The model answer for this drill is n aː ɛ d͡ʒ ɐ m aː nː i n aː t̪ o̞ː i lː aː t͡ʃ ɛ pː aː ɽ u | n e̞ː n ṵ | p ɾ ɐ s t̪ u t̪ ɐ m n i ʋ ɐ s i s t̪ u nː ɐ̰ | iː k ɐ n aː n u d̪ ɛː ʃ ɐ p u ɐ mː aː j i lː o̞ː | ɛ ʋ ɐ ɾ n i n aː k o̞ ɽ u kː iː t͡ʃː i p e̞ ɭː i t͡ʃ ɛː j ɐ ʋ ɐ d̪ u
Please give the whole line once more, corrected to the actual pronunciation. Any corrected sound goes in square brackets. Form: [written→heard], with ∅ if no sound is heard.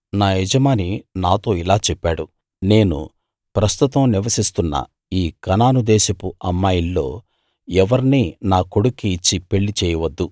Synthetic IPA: n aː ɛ d͡ʒ ɐ m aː [nː→n] i n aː t̪ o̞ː i [lː→l] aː t͡ʃ ɛ pː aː ɽ u | n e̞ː n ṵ | p ɾ ɐ s t̪ u t̪ ɐ m n i ʋ ɐ s i s t̪ u nː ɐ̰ | iː k ɐ n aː n u d̪ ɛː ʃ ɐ p u ɐ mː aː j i lː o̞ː | ɛ ʋ ɐ ɾ n i n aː k o̞ ɽ u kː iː t͡ʃː i p e̞ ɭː i t͡ʃ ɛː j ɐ ʋ ɐ [d̪→d̪ː] u

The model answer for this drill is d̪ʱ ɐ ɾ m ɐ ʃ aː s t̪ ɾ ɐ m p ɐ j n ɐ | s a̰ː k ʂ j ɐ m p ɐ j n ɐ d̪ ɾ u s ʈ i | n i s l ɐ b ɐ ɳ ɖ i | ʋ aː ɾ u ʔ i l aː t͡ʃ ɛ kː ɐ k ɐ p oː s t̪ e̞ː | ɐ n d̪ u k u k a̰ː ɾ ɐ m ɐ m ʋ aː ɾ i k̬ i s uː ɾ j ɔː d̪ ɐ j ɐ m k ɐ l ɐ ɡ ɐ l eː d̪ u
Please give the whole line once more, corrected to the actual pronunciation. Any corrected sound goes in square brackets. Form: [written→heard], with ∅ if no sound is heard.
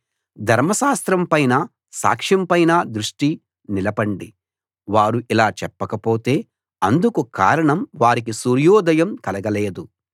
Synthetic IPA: d̪ʱ ɐ ɾ m ɐ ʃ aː s t̪ ɾ ɐ m p ɐ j n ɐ | s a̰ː k ʂ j ɐ m p ɐ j n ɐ d̪ ɾ u [s→ʂ] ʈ i | n i [s→∅] l ɐ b ɐ ɳ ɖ i | ʋ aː ɾ u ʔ i l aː t͡ʃ ɛ [kː→pː] ɐ k ɐ p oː [s→∅] t̪ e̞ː | ɐ n d̪ u k u k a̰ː ɾ ɐ [m→ɳ] ɐ m ʋ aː ɾ i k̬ i s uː ɾ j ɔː d̪ ɐ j ɐ m k ɐ l ɐ ɡ ɐ l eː d̪ u

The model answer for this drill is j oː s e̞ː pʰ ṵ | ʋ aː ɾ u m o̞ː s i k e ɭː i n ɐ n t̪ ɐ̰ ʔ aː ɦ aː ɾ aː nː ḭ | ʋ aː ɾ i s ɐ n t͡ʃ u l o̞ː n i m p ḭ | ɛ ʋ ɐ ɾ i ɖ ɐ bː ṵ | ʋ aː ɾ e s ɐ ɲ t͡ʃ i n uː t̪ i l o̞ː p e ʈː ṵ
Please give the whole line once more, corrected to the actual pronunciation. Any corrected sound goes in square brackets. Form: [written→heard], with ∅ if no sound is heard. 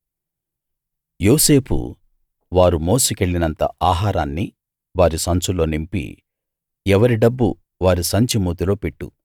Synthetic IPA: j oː s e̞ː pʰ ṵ | ʋ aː ɾ u m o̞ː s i k e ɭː i n ɐ n t̪ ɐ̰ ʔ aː ɦ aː ɾ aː nː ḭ | ʋ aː ɾ i s ɐ n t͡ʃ u l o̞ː n i m p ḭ | ɛ ʋ ɐ ɾ i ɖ ɐ bː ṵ | ʋ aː ɾ [e→i] s ɐ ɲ t͡ʃ i [n→m] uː t̪ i l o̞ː p e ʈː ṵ

